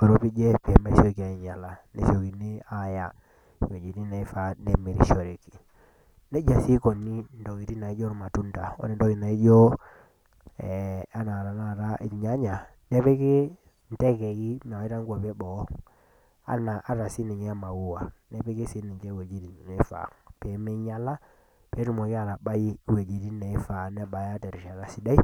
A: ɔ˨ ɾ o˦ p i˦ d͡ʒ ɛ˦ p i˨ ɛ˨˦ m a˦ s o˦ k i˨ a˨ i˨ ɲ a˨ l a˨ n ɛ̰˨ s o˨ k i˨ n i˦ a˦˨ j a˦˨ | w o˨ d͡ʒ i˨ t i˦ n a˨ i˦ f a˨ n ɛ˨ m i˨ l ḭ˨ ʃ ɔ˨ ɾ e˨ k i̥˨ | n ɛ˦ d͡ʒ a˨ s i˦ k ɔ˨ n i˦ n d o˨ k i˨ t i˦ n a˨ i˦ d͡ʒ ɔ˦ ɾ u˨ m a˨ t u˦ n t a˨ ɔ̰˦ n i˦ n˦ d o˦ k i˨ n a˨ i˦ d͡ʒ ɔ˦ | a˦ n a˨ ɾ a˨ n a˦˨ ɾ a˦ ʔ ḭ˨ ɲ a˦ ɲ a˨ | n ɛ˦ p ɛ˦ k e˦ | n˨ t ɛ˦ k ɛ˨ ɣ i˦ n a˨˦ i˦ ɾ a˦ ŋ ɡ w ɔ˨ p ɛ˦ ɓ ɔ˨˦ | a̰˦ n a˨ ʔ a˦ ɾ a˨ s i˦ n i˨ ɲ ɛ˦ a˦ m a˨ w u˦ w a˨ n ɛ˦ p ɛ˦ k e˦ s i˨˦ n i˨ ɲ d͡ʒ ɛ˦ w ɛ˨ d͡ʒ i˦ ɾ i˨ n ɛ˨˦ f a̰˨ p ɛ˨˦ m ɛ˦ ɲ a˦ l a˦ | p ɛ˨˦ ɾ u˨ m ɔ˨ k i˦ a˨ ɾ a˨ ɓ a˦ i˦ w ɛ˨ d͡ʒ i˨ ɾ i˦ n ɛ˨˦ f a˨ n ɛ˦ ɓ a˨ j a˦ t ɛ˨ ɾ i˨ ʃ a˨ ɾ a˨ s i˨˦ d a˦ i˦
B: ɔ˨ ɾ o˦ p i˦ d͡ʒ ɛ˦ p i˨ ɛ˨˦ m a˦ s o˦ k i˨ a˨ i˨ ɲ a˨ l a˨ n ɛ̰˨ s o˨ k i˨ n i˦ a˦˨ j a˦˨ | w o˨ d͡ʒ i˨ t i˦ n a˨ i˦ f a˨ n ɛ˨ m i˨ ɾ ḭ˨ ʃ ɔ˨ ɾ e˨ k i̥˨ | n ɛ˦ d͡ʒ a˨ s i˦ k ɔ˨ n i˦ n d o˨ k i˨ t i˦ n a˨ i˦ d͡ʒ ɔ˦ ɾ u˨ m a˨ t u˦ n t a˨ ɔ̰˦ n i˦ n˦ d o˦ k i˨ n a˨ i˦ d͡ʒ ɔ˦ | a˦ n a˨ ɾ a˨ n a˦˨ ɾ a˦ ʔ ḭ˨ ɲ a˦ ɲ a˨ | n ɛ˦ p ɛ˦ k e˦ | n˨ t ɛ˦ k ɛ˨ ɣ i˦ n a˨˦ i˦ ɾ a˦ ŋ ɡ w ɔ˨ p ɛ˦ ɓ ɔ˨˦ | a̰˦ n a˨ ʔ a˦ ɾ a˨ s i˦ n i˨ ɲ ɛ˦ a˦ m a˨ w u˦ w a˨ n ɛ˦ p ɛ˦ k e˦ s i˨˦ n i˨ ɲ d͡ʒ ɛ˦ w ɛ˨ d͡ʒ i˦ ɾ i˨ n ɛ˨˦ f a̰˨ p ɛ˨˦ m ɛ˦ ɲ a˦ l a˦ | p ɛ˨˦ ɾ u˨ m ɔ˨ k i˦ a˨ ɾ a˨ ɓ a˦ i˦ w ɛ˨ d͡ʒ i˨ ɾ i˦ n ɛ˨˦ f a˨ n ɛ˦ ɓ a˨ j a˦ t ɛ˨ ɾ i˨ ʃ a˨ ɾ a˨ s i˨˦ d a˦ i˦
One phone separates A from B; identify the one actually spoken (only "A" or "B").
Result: B